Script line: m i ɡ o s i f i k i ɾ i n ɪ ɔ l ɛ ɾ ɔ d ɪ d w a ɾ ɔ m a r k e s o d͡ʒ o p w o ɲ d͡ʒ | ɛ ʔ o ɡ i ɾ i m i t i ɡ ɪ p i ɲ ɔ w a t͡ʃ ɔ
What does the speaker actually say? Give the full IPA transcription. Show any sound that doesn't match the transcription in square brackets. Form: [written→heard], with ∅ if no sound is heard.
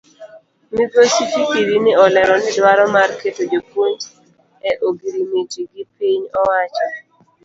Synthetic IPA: m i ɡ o s i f i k i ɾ i n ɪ ɔ l ɛ ɾ ɔ [d→n] ɪ d w a ɾ ɔ m a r k e [s→t] o d͡ʒ o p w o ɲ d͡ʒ | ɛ ʔ o ɡ i ɾ i m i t i ɡ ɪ p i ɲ ɔ w a t͡ʃ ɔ